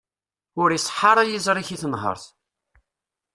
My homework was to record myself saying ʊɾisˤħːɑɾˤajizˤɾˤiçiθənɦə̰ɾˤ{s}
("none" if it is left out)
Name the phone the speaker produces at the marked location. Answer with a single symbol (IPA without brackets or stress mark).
θ